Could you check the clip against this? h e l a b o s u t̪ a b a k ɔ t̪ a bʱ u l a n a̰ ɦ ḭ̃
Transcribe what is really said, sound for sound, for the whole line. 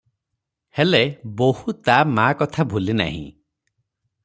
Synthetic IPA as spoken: h e l e b o h u t̪ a m a k ɔ t̪ʰ a bʱ u l i n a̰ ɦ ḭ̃